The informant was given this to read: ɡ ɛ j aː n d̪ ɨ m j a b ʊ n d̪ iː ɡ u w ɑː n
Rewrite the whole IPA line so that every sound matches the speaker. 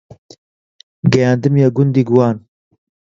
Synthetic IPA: ɡ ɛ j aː n d̪ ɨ m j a ɡ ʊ n d̪ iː ɡ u w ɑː n